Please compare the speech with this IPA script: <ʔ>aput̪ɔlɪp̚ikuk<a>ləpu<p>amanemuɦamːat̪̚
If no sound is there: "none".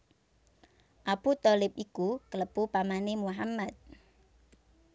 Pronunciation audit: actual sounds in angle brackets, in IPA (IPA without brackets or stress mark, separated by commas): ʔ, ə, p